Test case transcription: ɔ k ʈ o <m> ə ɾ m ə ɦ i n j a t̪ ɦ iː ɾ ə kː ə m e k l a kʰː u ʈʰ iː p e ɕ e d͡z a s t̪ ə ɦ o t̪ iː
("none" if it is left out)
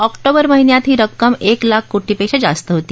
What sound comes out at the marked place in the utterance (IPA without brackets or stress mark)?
b